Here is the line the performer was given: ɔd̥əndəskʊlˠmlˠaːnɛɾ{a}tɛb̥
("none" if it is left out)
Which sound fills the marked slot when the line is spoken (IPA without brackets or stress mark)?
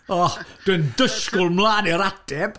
a